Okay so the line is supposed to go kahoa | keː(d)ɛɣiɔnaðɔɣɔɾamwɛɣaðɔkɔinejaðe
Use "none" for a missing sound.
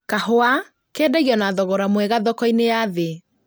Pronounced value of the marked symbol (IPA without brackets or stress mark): d